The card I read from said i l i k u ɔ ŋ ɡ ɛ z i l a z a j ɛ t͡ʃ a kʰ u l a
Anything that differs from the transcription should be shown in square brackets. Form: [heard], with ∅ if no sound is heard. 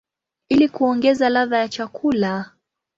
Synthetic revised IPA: i l i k u ɔ ŋ ɡ ɛ z [a] l a [ð] a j [a] t͡ʃ a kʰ u l a